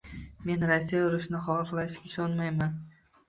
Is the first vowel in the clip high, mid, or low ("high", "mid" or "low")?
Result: mid